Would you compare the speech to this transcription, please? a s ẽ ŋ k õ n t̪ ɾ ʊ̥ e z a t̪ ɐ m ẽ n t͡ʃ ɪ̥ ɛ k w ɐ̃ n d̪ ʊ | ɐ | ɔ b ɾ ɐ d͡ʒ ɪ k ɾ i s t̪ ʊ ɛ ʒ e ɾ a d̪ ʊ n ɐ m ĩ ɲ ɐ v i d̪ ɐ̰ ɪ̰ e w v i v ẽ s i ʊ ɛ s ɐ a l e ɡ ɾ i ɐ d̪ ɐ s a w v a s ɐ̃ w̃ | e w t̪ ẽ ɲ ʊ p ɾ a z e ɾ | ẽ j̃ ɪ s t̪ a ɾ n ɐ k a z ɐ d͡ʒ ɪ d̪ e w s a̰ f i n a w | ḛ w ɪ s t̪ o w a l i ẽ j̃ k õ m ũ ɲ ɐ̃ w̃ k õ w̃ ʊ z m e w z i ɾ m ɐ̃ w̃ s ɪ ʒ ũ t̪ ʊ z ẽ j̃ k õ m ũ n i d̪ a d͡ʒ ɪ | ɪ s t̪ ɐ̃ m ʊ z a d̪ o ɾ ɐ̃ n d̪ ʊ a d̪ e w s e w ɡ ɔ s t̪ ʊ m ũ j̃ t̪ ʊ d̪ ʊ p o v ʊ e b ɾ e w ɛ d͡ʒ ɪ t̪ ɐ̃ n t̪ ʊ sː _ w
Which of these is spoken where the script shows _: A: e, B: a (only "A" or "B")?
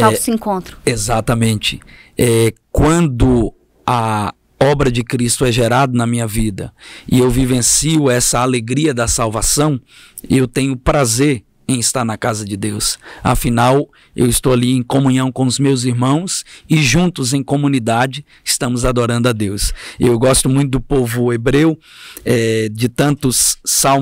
B